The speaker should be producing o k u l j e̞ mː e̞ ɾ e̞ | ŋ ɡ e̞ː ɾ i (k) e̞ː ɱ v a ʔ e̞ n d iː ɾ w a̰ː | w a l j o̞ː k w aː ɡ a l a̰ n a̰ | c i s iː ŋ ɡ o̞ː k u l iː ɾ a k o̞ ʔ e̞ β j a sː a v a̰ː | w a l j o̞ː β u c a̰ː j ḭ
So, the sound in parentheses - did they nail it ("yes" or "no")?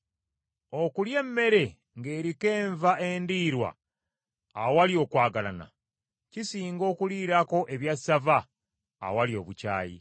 yes